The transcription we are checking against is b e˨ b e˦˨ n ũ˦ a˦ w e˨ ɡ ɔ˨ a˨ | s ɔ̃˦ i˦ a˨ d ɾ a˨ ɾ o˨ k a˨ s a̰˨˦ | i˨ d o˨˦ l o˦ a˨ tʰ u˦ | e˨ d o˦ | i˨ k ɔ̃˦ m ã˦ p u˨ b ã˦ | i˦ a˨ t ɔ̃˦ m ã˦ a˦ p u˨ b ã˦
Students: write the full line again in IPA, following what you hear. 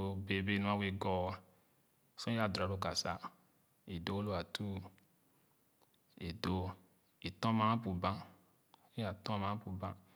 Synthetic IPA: b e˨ b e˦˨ n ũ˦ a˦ w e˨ ɡ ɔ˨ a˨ | s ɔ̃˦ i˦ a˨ d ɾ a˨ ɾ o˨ k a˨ s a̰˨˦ | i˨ d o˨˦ l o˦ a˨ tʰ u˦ | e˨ d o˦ | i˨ t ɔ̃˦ m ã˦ p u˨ b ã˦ | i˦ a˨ t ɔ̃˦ m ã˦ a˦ p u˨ b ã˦